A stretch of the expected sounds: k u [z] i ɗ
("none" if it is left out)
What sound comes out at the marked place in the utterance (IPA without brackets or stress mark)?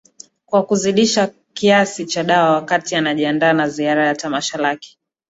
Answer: z